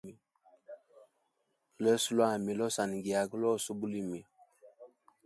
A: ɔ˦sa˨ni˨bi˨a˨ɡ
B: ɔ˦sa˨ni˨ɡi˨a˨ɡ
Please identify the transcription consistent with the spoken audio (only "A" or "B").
B